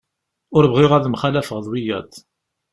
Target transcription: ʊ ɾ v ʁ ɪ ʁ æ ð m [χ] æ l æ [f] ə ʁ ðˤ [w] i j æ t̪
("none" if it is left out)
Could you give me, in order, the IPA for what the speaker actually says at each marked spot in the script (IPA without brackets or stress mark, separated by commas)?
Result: χ, f, w